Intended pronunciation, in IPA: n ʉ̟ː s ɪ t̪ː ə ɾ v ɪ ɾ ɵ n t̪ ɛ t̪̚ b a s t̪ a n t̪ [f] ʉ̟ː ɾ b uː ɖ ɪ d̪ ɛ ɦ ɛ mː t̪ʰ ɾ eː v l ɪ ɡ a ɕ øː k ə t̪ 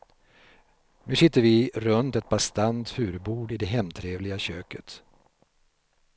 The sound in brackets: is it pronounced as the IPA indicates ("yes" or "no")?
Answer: yes